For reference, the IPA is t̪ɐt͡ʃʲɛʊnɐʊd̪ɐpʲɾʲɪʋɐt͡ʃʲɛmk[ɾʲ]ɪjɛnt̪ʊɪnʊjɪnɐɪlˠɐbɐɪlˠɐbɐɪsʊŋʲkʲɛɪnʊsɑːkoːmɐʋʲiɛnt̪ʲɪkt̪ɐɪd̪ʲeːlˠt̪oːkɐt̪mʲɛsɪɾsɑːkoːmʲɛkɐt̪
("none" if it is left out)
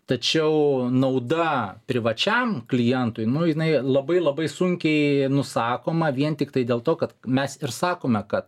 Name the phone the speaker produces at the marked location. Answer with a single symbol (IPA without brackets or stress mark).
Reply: lʲ